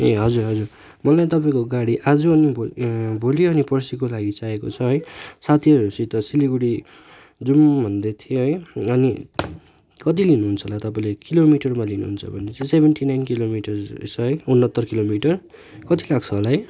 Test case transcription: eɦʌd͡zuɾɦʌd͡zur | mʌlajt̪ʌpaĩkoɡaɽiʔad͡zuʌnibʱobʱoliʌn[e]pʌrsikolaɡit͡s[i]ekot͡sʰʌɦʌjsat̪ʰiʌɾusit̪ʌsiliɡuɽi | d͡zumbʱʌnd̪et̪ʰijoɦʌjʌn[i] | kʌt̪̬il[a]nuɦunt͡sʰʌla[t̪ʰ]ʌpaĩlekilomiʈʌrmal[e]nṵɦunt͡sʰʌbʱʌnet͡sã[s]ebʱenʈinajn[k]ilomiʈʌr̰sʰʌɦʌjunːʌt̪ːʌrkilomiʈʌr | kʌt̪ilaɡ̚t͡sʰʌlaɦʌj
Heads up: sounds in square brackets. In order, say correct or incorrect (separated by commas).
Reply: incorrect, incorrect, correct, incorrect, incorrect, incorrect, correct, correct